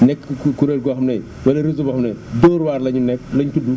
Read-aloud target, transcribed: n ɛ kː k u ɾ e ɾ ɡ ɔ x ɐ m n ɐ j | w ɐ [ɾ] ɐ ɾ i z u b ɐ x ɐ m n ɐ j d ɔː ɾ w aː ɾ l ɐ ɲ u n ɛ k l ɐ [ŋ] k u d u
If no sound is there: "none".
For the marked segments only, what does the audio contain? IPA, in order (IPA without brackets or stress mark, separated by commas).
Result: l, ɲ